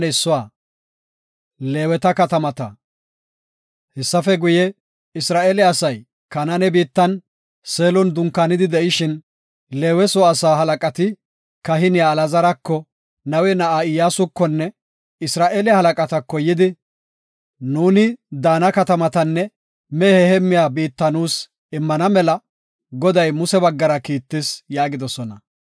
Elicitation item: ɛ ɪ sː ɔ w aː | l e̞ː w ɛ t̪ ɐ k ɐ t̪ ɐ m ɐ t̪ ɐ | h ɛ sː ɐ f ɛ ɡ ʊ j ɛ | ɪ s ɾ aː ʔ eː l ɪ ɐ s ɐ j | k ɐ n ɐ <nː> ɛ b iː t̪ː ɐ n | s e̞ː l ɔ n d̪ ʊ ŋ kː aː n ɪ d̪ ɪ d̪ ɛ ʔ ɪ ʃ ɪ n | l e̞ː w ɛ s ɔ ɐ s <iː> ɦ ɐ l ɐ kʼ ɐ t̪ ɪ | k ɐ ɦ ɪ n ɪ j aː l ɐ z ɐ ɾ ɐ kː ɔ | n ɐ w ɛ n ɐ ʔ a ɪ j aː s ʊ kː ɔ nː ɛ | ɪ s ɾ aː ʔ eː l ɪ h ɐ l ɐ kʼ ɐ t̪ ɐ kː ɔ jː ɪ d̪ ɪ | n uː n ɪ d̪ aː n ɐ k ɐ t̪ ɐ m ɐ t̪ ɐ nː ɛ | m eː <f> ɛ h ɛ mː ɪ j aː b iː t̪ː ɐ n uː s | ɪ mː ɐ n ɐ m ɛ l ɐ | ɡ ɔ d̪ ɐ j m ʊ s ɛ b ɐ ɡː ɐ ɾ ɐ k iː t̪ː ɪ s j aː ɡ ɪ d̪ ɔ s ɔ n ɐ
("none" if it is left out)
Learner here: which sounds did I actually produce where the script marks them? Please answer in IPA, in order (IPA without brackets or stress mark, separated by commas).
n, aː, h